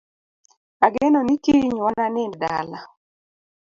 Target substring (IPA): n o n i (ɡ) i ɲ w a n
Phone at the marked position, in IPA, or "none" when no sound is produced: k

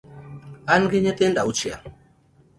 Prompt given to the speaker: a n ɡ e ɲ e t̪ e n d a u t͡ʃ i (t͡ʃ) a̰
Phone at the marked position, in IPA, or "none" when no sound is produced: none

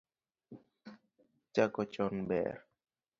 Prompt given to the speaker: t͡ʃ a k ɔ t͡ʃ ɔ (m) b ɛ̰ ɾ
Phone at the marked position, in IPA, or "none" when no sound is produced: n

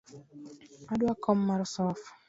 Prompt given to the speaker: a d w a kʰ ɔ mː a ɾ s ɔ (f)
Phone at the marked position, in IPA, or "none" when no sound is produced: f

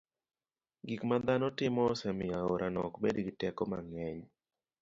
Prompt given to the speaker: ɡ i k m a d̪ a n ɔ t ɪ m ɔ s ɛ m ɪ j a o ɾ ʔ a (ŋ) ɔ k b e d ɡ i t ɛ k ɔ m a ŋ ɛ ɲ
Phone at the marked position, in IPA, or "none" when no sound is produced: n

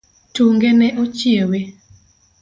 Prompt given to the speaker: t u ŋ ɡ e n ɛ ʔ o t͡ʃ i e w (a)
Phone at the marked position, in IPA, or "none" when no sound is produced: e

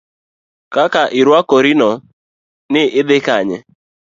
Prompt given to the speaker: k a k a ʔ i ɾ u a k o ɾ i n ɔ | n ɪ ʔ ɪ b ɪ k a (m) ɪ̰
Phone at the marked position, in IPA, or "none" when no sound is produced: ɲ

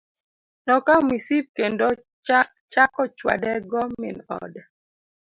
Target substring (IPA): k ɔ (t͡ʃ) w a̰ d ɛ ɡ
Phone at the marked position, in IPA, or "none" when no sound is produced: t͡ʃ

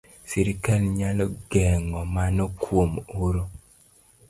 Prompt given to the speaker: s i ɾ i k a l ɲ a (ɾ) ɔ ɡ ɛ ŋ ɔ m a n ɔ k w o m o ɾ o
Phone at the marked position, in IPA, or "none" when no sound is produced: l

